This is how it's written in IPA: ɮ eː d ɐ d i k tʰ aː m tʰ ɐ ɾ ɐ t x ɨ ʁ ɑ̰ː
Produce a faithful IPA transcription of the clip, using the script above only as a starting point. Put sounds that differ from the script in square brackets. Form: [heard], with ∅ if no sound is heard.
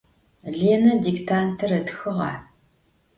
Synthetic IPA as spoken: ɮ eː [n] ɐ d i k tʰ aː [n] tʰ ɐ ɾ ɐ t x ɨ ʁ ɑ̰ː